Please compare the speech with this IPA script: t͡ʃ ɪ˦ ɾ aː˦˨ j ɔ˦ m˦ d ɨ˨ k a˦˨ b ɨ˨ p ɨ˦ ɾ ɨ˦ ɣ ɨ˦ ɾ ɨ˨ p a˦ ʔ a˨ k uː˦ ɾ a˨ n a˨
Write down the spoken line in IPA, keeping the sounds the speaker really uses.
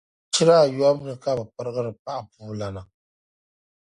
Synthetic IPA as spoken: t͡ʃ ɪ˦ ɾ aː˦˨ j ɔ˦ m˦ n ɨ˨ k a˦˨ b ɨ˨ p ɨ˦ ɾ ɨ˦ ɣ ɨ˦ ɾ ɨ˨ p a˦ ʔ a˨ p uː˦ l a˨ n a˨